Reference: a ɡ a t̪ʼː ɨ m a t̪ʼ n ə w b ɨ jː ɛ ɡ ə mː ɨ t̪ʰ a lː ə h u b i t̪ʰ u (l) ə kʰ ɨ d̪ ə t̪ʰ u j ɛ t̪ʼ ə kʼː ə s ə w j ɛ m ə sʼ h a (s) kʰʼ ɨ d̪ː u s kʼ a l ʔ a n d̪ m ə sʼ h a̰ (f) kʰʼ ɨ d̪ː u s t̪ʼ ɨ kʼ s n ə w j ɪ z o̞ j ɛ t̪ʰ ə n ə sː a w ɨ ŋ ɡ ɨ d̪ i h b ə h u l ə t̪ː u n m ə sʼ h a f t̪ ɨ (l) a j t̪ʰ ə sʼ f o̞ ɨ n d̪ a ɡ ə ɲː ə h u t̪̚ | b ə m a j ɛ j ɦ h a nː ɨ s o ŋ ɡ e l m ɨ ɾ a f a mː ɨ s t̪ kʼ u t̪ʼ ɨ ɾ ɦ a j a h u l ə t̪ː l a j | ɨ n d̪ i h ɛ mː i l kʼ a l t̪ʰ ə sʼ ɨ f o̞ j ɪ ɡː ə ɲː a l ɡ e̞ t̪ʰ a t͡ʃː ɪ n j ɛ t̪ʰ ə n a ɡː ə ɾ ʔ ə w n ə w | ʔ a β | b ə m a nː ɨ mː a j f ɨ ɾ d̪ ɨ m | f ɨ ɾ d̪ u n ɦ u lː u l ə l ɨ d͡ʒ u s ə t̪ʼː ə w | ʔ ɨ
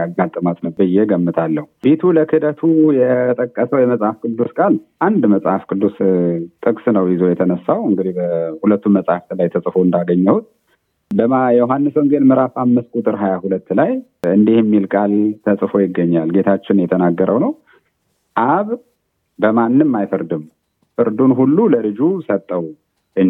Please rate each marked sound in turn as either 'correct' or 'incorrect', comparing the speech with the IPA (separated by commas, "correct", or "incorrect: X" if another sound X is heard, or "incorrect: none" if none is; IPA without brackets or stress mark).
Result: correct, incorrect: f, correct, correct